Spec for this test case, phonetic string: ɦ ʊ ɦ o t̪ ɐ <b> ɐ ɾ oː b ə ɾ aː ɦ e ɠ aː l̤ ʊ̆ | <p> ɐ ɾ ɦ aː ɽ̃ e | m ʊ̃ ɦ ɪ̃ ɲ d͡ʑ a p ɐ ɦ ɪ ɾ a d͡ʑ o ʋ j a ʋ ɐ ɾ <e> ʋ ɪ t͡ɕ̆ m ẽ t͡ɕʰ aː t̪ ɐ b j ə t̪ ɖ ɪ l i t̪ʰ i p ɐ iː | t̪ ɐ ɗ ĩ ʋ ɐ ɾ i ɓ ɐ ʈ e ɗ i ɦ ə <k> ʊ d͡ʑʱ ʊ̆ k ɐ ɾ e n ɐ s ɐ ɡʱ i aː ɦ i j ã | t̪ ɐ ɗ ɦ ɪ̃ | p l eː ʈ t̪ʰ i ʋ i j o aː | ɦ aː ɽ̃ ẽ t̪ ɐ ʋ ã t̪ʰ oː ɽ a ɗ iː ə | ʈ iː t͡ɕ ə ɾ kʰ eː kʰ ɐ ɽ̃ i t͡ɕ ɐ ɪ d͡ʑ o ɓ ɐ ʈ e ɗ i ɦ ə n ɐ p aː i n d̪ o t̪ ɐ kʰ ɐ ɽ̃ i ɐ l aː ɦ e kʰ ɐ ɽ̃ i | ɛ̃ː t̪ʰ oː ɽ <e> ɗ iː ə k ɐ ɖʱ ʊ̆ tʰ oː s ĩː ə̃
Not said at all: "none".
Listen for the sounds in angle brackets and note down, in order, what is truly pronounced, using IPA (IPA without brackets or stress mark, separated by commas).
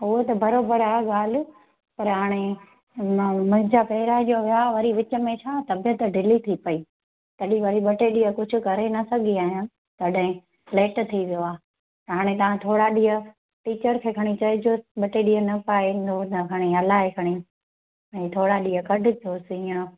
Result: b, p, i, k, a